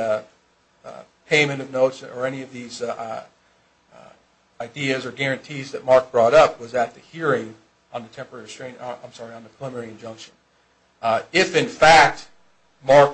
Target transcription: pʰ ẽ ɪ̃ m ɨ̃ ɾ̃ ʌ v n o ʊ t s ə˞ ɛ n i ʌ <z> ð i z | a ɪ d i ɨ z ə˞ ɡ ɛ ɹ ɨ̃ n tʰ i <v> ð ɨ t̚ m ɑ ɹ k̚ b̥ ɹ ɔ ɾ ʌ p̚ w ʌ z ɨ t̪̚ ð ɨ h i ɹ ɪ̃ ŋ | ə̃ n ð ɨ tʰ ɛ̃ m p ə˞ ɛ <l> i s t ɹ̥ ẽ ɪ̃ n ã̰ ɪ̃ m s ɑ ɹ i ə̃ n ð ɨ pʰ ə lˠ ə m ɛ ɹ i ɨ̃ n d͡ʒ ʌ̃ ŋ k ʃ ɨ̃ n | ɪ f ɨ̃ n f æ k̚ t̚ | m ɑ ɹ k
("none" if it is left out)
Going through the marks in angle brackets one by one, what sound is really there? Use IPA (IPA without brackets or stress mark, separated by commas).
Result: v, z, ɹ